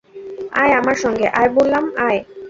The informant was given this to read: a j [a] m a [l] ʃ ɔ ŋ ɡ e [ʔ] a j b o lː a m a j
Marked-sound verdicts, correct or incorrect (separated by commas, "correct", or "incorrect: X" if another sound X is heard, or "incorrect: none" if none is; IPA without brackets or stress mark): correct, incorrect: ɾ, correct